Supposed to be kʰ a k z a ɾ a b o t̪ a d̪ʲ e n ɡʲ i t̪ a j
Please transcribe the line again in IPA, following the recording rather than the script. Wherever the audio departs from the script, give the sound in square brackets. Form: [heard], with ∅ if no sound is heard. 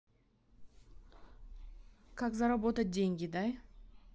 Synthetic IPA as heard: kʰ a k z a ɾ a b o t̪ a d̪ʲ e [ŋ] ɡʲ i [d̪] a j